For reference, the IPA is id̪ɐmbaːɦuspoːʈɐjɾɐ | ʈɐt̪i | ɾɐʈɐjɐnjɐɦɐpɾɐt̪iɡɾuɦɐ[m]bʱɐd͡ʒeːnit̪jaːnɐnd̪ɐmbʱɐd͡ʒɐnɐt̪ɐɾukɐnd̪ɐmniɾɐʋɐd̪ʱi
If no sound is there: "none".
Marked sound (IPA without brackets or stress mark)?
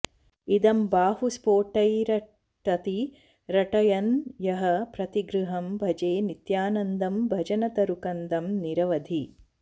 m